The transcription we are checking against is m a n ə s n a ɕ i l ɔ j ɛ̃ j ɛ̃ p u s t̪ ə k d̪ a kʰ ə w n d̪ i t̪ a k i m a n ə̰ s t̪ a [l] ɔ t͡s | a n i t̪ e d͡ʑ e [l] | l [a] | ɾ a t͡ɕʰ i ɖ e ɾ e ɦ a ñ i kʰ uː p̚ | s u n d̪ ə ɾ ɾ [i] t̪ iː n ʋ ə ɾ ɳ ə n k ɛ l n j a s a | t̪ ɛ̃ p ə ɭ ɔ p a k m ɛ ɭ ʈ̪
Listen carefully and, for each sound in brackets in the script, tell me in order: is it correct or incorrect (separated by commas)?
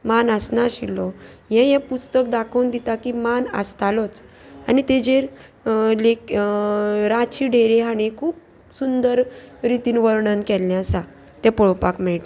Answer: correct, incorrect, incorrect, correct